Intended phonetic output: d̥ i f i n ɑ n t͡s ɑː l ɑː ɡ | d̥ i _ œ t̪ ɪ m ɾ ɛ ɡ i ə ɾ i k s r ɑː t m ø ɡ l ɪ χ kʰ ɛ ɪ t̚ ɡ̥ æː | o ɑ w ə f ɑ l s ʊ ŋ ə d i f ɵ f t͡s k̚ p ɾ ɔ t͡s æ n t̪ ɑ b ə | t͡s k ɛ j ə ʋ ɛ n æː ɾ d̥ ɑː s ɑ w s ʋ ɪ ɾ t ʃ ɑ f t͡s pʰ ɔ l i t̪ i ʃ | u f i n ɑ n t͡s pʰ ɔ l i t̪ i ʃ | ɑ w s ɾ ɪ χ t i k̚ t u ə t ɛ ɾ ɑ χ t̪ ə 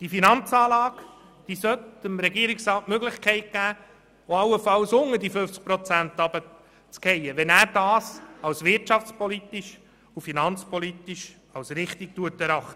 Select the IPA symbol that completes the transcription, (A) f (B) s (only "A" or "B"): B